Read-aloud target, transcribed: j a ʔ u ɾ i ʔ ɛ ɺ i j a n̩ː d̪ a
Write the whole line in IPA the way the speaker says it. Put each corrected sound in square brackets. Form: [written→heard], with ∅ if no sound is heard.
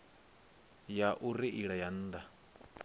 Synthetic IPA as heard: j a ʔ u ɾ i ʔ [ɛ→i] ɺ [i→a] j a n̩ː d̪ a

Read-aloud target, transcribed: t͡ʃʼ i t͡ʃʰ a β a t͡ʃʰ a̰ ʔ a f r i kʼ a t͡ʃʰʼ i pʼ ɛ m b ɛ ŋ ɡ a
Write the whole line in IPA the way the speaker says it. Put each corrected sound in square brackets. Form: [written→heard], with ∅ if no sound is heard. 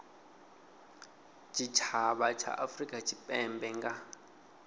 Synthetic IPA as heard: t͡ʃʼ i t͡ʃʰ a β a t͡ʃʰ a̰ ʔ a f r i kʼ a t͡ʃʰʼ i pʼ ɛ m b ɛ ŋ ɡ a

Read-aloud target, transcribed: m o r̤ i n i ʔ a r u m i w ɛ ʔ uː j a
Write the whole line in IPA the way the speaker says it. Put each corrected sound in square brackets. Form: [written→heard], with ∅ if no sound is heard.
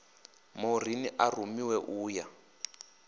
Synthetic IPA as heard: m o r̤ i n i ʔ a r u m i w ɛ ʔ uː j a

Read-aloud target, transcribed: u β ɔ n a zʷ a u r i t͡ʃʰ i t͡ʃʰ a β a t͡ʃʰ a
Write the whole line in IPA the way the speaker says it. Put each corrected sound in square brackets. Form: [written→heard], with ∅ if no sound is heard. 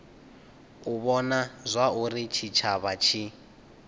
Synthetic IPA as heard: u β ɔ n a zʷ a u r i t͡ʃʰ i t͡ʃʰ a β a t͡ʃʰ [a→i]

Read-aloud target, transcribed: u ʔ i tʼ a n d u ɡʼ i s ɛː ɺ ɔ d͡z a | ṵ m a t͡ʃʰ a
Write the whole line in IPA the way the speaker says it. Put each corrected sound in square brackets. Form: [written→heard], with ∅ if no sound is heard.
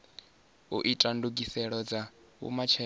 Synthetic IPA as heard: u ʔ i tʼ a n d u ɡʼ i s [ɛː→ɛ] ɺ ɔ d͡z a | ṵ m a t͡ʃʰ [a→ɛ]

